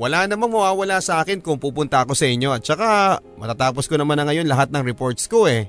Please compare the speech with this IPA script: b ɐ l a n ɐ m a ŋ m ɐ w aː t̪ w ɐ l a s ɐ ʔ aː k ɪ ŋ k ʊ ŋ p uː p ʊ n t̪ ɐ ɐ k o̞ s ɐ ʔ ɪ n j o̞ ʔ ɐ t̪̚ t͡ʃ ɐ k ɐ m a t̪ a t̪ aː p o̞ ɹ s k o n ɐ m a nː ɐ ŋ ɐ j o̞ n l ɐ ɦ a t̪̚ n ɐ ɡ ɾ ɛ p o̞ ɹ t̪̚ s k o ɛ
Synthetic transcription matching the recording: w ɐ l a n ɐ m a ŋ m ɐ w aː w ɐ l a s ɐ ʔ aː k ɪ n k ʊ ŋ p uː p ʊ n t̪ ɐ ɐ k o̞ s ɐ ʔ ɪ ɲ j o̞ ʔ ɐ t̪̚ t͡ʃ ɐ k a m ɐ t̪ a t̪ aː p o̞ s k o n ɐ m a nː ɐ ŋ ɐ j o̞ n l ɐ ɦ a t̪̚ n ɐ ŋ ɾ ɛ p o̞ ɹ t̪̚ s k o ɛ